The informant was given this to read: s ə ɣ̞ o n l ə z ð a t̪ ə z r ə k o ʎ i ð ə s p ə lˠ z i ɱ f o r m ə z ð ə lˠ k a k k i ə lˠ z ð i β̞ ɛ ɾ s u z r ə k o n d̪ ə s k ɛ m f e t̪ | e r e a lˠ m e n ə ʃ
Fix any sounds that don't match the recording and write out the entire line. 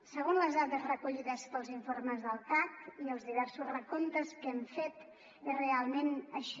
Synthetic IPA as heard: s ə ɣ̞ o n l ə z ð a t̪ ə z r ə k u ʎ i ð ə s p ə lˠ z i ɱ f o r m ə z ð ə lˠ k a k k i ə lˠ z ð i β̞ ɛ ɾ s u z r ə k o n t̪ ə s k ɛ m f e t̪ | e r e a lˠ m e n ə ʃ